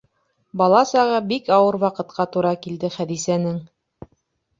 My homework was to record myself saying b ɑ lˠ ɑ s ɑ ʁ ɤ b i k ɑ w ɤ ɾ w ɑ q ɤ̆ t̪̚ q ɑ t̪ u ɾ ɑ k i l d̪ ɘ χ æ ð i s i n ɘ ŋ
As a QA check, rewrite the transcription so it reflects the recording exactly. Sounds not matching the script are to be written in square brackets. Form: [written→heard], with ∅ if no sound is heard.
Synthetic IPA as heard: b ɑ lˠ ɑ s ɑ ʁ ɤ b i k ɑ w ɤ ɾ w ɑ q ɤ̆ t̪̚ q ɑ t̪ u ɾ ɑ k i l d̪ ɘ χ æ ð i s [i→æ] n ɘ ŋ